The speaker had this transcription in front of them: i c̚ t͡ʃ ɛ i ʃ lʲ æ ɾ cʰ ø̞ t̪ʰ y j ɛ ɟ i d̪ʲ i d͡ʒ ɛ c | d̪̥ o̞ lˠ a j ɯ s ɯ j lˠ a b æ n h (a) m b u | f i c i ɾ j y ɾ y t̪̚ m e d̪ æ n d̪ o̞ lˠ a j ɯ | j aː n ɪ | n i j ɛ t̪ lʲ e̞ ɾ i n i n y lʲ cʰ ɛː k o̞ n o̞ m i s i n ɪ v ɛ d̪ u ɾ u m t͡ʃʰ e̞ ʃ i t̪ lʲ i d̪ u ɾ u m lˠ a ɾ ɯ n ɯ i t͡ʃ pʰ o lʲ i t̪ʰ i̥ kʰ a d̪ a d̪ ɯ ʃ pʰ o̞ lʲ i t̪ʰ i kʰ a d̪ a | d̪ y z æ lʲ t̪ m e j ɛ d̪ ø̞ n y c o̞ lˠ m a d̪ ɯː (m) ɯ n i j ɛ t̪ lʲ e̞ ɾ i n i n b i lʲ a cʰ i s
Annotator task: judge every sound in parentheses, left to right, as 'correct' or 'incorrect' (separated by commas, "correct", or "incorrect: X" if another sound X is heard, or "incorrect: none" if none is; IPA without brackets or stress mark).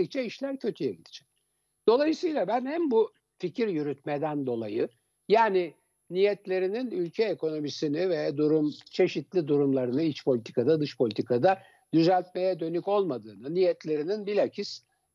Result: incorrect: æ, incorrect: n